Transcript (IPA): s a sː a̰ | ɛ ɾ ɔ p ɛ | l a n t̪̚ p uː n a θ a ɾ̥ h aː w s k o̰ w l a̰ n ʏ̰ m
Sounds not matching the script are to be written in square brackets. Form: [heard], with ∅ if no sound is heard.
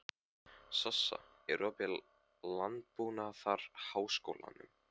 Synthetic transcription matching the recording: s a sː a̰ | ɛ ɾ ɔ p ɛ | l a n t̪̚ p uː n a θ a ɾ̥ h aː w s k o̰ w l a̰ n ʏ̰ m